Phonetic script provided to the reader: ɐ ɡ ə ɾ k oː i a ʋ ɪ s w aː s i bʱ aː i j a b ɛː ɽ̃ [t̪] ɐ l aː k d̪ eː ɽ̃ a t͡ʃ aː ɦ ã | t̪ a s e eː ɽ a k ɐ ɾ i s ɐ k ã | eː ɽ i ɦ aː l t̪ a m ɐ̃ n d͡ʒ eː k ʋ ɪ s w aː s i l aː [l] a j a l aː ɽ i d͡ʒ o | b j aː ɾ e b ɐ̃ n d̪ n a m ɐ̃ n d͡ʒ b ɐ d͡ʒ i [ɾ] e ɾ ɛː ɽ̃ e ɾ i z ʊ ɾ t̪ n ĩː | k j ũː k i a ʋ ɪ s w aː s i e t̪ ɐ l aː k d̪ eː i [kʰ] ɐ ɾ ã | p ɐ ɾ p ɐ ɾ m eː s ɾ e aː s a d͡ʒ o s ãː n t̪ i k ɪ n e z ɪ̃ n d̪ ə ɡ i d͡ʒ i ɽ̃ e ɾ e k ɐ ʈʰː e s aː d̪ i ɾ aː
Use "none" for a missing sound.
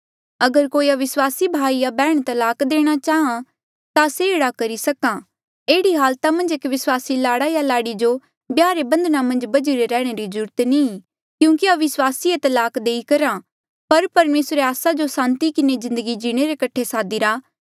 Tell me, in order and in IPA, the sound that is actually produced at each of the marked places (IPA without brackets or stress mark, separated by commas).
t̪, ɽ, ɾ, k